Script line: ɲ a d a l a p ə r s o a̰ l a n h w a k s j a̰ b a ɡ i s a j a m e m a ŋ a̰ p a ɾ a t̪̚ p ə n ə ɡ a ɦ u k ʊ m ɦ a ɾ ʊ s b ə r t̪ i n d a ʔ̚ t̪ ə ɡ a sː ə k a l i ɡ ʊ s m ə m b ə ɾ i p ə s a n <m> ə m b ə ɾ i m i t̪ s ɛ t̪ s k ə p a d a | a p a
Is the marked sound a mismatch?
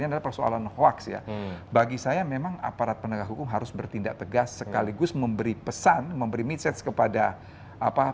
no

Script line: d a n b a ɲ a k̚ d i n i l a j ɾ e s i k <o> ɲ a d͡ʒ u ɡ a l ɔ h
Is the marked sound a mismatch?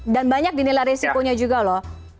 no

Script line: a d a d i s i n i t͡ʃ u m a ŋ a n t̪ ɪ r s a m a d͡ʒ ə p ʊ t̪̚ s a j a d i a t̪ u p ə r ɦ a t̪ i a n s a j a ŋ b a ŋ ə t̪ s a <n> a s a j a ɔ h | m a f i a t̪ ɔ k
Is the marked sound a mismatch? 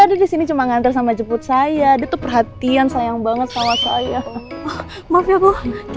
yes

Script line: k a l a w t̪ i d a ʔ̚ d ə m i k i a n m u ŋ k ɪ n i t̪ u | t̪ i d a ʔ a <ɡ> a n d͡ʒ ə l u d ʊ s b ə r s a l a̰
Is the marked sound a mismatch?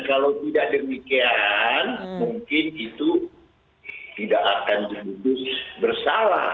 yes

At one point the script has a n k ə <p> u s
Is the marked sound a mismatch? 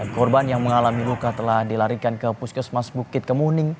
no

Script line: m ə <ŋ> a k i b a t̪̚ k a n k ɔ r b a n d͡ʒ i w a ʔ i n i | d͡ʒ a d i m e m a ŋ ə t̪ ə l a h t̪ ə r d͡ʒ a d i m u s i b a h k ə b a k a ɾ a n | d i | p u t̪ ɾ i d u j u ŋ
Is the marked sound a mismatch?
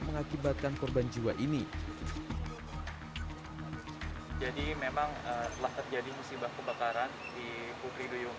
no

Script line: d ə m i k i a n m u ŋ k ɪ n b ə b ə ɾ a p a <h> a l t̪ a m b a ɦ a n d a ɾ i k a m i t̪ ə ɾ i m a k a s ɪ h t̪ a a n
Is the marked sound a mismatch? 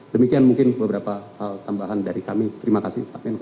no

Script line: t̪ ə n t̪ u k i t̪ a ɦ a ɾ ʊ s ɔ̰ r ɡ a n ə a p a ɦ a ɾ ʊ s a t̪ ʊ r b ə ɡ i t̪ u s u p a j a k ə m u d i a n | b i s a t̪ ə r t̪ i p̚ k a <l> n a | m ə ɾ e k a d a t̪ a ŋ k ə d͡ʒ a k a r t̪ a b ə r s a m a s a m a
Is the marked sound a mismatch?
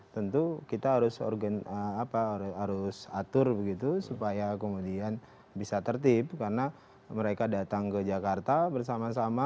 yes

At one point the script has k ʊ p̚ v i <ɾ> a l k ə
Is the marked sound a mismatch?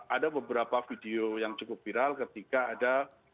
no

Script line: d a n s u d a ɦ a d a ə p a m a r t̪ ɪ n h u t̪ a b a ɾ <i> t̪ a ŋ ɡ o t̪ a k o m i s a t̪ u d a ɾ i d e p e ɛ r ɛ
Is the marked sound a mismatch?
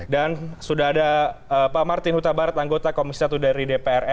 yes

